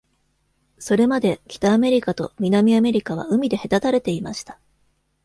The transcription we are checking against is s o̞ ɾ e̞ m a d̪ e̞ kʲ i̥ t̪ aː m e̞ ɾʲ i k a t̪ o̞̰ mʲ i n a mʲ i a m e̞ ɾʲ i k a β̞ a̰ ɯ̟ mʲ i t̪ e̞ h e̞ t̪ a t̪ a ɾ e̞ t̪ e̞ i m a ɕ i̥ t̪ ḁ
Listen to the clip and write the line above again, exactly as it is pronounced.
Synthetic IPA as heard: s o̞ ɾ e̞ m a d̪ e̞ kʲ i̥ t̪ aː m e̞ ɾʲ i k a t̪ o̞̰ mʲ i n a mʲ i a m e̞ ɾʲ i k a β̞ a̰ ɯ̟ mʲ i d̪ e̞ h e̞ t̪ a t̪ a ɾ e̞ t̪ e̞ i m a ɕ i̥ t̪ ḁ